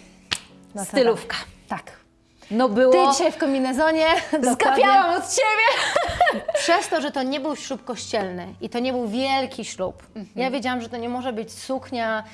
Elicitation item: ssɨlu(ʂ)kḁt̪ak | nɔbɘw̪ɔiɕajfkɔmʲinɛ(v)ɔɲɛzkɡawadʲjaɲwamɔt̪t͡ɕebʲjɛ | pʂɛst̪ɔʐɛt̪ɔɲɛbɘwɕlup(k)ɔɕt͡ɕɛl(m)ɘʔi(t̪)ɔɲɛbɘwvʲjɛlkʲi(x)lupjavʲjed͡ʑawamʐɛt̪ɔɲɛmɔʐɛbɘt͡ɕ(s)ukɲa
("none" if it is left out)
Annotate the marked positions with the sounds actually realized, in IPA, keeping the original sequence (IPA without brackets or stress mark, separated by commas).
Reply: f, z, k, n, t̪, ɕ, s